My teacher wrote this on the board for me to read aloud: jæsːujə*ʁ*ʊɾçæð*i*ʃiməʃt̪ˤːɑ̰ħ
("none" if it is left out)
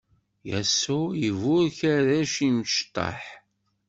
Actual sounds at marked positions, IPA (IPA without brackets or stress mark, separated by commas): v, æ